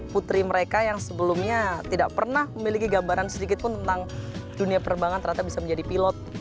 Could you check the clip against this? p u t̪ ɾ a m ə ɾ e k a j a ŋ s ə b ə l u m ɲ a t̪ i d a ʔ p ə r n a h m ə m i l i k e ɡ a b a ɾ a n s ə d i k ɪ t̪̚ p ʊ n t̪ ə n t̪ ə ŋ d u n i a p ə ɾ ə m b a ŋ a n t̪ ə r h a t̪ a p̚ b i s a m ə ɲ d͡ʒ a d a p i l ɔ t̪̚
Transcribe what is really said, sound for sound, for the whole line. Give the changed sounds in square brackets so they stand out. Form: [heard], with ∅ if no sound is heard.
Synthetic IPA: p u t̪ ɾ [i] m ə ɾ e k a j a ŋ s ə b ə l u m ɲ a t̪ i d a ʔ p ə r n a h m ə m i l i k [i] ɡ a b a ɾ a n s ə d i k ɪ t̪̚ p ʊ n t̪ ə n t̪ [a] ŋ d u n i a p ə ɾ ə m b a ŋ a n t̪ ə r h a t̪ a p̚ b i s a m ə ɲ d͡ʒ a d [i] p i l ɔ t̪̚